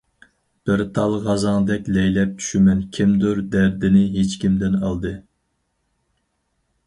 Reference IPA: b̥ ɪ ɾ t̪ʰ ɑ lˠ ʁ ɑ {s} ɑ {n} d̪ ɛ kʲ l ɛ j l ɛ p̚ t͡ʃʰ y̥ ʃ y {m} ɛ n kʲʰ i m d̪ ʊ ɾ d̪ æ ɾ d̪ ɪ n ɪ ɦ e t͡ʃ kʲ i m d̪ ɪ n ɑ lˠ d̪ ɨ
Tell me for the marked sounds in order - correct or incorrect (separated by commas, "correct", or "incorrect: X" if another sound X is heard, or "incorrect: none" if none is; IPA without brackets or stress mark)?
incorrect: z, incorrect: ŋ, correct